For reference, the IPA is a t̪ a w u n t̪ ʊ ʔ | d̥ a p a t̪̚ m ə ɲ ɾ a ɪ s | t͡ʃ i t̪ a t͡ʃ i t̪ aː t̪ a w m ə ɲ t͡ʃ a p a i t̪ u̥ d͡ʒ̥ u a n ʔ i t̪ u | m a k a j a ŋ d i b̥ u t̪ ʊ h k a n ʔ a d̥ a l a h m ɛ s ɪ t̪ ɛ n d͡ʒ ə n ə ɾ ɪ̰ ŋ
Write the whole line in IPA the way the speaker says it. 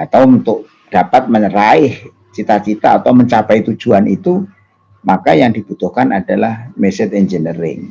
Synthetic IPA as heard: a t̪ a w u n t̪ ʊ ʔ | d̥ a p a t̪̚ m ə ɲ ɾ a ɪ h | t͡ʃ i t̪ a t͡ʃ i t̪ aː t̪ a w m ə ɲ t͡ʃ a p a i t̪ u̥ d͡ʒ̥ u a n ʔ i t̪ u | m a k a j a ŋ d i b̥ u t̪ ʊ h k a n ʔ a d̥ a l a h m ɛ s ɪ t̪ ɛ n d͡ʒ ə n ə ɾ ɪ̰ ŋ